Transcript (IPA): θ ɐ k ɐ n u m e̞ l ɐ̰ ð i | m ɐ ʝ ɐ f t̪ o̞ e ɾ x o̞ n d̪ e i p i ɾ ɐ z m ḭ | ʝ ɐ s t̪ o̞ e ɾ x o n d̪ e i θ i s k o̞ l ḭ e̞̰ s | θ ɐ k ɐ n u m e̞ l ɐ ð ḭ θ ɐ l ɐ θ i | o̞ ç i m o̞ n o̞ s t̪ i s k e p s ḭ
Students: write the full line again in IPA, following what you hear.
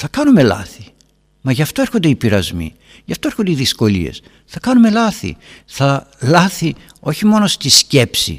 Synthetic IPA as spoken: θ ɐ k ɐ n u m e̞ l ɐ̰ θ i | m ɐ ʝ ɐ f t̪ o̞ e ɾ x o̞ n d̪ e i p i ɾ ɐ z m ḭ | ʝ ɐ f t̪ o̞ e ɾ x o n d̪ e i ð i s k o̞ l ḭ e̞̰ s | θ ɐ k ɐ n u m e̞ l ɐ θ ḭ θ ɐ l ɐ θ i | o̞ ç i m o̞ n o̞ s t̪ i s c e p s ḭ